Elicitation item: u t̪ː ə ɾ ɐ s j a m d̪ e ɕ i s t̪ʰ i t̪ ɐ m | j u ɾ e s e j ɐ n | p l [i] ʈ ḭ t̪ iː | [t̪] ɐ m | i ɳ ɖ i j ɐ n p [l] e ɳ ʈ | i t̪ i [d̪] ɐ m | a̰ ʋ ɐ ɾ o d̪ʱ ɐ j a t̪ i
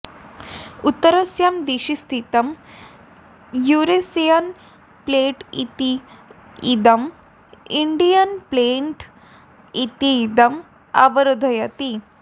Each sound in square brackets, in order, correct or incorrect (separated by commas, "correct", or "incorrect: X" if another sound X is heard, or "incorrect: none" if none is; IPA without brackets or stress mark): incorrect: e, incorrect: d̪, correct, correct